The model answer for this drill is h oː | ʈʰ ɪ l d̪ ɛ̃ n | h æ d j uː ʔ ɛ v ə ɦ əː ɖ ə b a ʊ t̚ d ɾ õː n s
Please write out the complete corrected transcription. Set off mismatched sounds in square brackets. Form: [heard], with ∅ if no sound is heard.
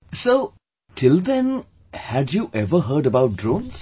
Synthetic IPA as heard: [s] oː | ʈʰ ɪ l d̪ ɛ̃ n | h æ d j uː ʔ ɛ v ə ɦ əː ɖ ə b a ʊ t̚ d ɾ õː n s